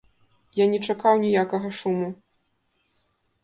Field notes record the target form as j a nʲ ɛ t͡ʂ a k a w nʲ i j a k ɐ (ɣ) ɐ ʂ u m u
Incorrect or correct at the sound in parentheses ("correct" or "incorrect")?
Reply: correct